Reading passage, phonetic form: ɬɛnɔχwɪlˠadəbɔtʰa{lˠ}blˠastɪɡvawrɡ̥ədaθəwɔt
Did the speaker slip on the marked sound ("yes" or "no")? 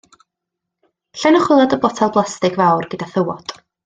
no